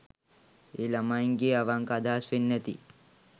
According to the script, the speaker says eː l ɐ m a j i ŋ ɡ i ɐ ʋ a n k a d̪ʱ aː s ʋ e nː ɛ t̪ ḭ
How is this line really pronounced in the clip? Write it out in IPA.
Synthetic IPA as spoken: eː l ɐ m a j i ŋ ɡ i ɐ ʋ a ŋ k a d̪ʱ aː s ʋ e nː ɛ t̪ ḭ